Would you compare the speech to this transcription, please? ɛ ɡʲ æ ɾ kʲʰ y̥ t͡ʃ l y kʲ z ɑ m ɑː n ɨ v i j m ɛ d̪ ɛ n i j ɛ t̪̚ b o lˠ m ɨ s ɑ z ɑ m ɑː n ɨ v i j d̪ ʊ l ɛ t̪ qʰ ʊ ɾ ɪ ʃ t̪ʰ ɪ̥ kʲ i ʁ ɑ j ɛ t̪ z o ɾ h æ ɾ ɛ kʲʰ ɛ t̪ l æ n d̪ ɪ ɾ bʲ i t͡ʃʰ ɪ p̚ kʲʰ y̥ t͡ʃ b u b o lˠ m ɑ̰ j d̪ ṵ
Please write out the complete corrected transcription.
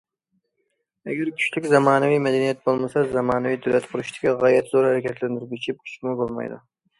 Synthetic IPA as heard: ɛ ɡʲ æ ɾ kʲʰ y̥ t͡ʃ l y kʲ z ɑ m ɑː n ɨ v i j m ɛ d̪ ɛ n i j ɛ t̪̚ b o lˠ m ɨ s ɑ z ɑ m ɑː n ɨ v i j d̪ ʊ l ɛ t̪ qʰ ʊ ɾ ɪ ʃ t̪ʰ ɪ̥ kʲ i ʁ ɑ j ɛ t̪ z o ɾ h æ ɾ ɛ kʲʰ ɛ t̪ l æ n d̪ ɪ ɾ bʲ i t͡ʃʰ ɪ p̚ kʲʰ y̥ t͡ʃ m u b o lˠ m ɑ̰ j d̪ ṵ